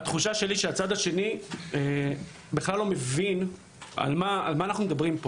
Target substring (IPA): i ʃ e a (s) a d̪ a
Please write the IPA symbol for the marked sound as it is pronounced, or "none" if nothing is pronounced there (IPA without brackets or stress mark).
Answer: t͡s